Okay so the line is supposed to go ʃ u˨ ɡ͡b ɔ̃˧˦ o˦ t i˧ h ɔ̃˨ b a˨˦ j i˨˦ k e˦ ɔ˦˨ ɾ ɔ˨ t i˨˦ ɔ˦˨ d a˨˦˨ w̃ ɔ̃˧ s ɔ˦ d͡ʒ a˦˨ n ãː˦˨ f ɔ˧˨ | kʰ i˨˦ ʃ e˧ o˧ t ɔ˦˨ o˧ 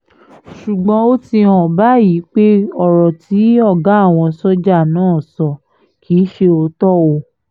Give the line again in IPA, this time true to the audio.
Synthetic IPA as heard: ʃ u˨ ɡ͡b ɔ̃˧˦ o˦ t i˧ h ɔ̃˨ b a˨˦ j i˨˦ k͡p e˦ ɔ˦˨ ɾ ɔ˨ t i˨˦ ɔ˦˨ ɡ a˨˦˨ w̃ ɔ̃˧ s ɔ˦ d͡ʒ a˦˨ n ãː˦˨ s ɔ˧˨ | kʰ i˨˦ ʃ e˧ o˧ t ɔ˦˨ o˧